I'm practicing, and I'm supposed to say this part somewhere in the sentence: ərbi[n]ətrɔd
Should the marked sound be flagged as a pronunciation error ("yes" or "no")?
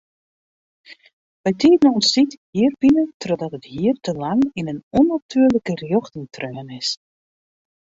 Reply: no